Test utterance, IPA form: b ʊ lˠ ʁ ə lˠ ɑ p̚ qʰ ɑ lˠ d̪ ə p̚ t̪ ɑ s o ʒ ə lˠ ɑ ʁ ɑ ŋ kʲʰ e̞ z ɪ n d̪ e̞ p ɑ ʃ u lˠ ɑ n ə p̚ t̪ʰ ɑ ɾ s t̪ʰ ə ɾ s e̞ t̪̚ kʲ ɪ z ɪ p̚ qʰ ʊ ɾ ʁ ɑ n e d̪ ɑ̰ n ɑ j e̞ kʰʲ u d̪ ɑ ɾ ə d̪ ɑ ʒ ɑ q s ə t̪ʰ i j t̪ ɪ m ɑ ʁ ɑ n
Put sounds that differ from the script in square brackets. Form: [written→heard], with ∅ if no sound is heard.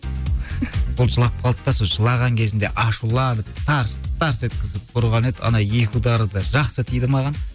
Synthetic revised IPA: b ʊ lˠ [ʁ→ʒ] ə lˠ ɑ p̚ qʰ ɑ lˠ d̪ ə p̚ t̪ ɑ s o ʒ ə lˠ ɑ ʁ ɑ ŋ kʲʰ e̞ z ɪ n d̪ e̞ [p→ʔ] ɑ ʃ u lˠ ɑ n ə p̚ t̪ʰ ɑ ɾ s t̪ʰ [ə→ɑ] ɾ s e̞ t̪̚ kʲ ɪ z ɪ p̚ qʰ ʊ ɾ ʁ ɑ n e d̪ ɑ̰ n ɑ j e̞ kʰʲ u d̪ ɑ ɾ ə d̪ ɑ ʒ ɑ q s ə t̪ʰ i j [t̪→d̪] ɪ m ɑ ʁ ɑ n